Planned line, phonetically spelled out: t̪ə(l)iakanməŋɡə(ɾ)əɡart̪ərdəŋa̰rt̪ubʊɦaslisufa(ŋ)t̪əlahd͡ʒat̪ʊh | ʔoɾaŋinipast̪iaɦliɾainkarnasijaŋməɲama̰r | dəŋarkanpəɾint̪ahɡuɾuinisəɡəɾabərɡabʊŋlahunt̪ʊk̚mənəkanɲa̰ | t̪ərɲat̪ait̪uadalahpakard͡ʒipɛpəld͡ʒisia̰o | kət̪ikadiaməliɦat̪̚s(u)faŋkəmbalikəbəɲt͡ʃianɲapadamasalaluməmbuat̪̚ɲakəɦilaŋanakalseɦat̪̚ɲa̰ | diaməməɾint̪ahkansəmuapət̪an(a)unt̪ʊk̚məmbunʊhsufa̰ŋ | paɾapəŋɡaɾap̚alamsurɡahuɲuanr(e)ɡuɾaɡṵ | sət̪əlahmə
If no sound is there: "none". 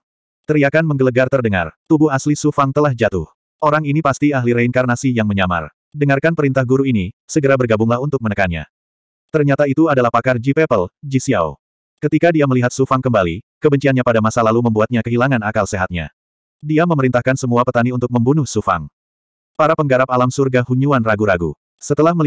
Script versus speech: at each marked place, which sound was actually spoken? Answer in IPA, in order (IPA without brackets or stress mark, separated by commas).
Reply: ɾ, l, ŋ, u, i, a